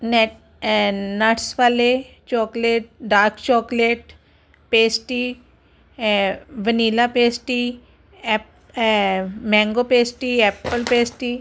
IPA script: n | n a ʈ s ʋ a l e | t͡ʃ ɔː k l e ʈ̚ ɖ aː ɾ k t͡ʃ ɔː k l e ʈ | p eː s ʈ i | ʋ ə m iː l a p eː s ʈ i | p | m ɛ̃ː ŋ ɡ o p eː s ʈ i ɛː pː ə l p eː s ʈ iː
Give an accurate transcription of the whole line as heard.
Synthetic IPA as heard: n | n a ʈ s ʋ a l e | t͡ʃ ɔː k l e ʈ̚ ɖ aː ɾ k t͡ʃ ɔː k l e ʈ | p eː s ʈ i | ʋ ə n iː l a p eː s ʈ i | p | m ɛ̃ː ŋ ɡ o p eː s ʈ i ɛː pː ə l p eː s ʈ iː

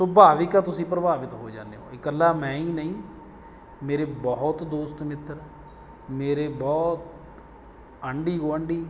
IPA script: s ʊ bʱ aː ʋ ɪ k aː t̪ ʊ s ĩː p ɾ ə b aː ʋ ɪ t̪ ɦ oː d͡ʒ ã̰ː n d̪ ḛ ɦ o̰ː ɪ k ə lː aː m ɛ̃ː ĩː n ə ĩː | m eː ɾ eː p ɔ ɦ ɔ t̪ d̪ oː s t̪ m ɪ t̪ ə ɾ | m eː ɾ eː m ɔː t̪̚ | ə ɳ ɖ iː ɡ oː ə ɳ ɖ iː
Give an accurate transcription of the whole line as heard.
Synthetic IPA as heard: s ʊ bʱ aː ʋ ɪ k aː t̪ ʊ s ĩː p ɾ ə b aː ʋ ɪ t̪ ɦ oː d͡ʒ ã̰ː n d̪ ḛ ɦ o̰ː ɪ k ə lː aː m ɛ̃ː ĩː n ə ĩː | m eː ɾ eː b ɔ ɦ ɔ t̪ d̪ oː s t̪ m ɪ t̪ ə ɾ | m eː ɾ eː b ɔː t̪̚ | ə ɳ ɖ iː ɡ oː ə ɳ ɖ iː

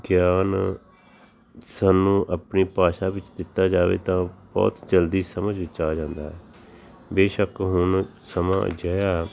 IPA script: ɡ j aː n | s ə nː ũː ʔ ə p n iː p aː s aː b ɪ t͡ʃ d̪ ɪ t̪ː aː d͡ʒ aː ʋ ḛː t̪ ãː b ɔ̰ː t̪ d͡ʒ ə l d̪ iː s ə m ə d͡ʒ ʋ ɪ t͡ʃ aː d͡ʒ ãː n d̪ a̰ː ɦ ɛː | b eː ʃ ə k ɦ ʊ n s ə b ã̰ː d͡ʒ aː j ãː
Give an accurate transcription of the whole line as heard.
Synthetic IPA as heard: ɡ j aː n | s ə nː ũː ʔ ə p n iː p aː ʃ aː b ɪ t͡ʃ d̪ ɪ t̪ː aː d͡ʒ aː ʋ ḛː t̪ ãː b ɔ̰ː t̪ d͡ʒ ə l d̪ iː s ə m ə d͡ʒ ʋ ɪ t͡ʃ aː d͡ʒ ãː n d̪ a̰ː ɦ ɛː | b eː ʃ ə k ɦ ʊ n s ə m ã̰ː d͡ʒ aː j aː

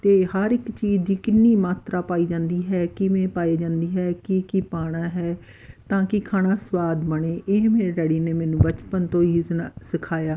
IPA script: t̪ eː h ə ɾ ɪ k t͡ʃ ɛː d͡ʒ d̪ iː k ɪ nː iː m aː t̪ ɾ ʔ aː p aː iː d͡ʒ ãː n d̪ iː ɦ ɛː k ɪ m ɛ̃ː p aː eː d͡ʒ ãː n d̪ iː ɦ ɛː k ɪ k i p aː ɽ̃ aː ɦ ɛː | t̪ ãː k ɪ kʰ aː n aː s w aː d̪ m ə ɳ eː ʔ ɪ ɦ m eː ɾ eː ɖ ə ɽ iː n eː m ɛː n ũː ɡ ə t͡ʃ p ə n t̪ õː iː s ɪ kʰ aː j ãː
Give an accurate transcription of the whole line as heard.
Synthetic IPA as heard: t̪ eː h ə ɾ ɪ k t͡ʃ iː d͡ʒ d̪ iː k ɪ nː iː m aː t̪ ɾ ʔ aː p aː iː d͡ʒ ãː n d̪ iː ɦ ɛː k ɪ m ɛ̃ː p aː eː d͡ʒ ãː n d̪ iː ɦ ɛː k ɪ k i p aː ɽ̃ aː ɦ ɛː | t̪ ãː k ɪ kʰ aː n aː s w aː d̪ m ə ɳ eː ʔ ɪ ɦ m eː ɾ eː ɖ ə ɽ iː n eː m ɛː n ũː b ə t͡ʃ p ə n t̪ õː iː s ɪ kʰ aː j aː

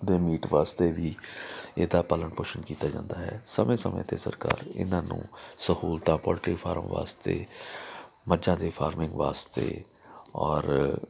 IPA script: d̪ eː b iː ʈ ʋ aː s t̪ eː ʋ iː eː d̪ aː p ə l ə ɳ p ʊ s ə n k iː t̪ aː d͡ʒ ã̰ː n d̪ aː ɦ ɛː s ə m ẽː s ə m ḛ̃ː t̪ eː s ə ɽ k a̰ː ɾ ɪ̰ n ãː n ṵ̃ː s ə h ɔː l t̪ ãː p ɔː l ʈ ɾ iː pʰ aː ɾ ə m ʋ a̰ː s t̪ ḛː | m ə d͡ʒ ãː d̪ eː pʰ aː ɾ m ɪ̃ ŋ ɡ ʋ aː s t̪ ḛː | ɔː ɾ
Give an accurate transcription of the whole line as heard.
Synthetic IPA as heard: d̪ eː m iː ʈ ʋ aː s t̪ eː ʋ iː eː d̪ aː p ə l ə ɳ p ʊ ʃ ə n k iː t̪ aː d͡ʒ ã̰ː n d̪ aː ɦ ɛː s ə m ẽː s ə m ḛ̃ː t̪ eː s ə ɾ k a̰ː ɾ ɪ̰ n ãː n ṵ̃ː s ə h uː l t̪ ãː p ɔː l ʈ ɾ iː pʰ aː ɾ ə m ʋ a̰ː s t̪ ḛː | m ə d͡ʒ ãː d̪ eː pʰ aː ɾ m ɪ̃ ŋ ɡ ʋ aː s t̪ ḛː | ɔː ɾ

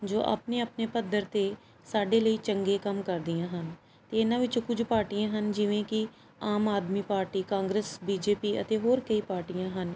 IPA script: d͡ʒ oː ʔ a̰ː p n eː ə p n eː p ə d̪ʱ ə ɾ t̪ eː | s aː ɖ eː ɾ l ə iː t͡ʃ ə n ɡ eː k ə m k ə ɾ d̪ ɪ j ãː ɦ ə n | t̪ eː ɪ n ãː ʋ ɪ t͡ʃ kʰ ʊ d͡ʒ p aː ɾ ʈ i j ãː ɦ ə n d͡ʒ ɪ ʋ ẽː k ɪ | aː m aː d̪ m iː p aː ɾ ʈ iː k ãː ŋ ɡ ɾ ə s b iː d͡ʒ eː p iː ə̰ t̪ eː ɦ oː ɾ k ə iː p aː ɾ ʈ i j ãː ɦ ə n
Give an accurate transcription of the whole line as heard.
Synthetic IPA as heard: d͡ʒ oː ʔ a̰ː p n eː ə p n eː p ə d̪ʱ ə ɾ t̪ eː | s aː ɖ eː l ə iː t͡ʃ ə ŋ ɡ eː k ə m k ə ɾ d̪ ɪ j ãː ɦ ə n | t̪ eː ɪ n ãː ʋ ɪ t͡ʃ k ʊ d͡ʒ p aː ɾ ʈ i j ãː ɦ ə n d͡ʒ ɪ ʋ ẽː k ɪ | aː m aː d̪ m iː p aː ɾ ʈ iː k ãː ŋ ɡ ɾ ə s b iː d͡ʒ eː p iː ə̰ t̪ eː ɦ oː ɾ k ə iː p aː ɾ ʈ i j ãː ɦ ə n

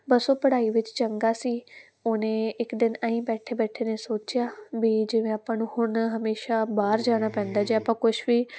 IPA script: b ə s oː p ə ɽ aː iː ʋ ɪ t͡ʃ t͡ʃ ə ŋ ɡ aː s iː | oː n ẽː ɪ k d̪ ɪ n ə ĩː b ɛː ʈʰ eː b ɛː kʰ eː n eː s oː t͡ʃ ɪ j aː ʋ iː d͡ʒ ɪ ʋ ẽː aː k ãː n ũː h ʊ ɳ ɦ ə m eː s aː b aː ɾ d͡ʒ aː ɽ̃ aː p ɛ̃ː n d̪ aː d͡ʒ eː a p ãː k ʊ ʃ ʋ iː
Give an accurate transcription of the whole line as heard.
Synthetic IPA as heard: b ə s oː p ə ɽ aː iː ʋ ɪ t͡ʃ t͡ʃ ə ŋ ɡ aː s iː | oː n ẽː ɪ k d̪ ɪ n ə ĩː b ɛː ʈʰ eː b ɛː ʈʰ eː n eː s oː t͡ʃ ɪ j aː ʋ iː d͡ʒ ɪ ʋ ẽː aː p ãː n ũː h ʊ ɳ ɦ ə m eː ʃ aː b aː ɾ d͡ʒ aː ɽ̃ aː p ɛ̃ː n d̪ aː d͡ʒ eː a p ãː k ʊ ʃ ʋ iː

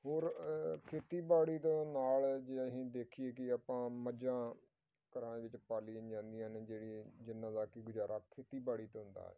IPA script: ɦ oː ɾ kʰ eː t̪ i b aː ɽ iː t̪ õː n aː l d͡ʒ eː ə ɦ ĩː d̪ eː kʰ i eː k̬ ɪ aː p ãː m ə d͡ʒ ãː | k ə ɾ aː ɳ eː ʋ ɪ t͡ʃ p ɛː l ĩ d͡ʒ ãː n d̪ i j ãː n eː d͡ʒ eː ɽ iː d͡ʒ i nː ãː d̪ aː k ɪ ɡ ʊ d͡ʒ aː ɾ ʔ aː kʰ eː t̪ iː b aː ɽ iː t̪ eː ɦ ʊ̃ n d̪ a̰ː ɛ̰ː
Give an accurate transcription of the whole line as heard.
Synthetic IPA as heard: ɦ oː ɾ kʰ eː t̪ iː b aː ɽ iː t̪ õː n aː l d͡ʒ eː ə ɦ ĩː d̪ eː kʰ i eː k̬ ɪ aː p ãː m ə d͡ʒ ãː | k ə ɾ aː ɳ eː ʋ ɪ t͡ʃ p aː l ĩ d͡ʒ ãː n d̪ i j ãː n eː d͡ʒ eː ɽ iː d͡ʒ ɪ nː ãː d̪ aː k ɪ ɡ ʊ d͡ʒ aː ɾ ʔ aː kʰ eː t̪ iː b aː ɽ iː t̪ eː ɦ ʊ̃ n d̪ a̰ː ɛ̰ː

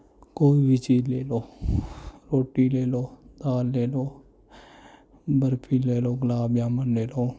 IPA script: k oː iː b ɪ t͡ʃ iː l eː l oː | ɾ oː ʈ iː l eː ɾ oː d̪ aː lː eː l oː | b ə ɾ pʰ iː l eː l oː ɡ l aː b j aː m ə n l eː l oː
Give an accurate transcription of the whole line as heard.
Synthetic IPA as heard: k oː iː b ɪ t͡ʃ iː l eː l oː | ɾ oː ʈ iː l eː l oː d̪ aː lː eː l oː | b ə ɾ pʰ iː l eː l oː ɡ l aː b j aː m ə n l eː l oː

